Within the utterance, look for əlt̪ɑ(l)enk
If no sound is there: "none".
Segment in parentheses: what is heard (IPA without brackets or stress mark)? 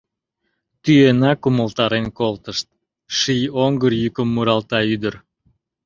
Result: ɾ